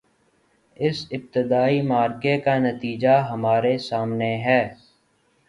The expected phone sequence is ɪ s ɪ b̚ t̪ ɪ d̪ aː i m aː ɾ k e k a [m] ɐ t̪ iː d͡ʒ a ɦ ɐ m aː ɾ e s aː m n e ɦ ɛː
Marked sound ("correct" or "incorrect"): incorrect